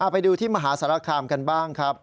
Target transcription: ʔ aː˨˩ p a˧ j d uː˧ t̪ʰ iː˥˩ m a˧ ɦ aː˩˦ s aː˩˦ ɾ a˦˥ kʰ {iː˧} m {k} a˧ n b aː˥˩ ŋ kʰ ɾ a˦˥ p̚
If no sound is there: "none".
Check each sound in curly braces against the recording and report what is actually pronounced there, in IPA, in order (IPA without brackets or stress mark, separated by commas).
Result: aː˧, k